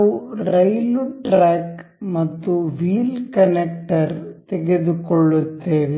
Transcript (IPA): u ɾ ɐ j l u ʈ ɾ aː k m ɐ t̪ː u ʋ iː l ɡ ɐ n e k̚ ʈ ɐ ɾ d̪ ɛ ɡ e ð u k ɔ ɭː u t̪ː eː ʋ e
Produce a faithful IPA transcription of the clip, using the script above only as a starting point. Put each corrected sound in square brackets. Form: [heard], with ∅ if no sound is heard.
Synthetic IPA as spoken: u ɾ ɐ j l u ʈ ɾ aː k m ɐ t̪ː u ʋ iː l [k] ɐ n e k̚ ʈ ɐ ɾ [t̪] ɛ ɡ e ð u k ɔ ɭː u t̪ː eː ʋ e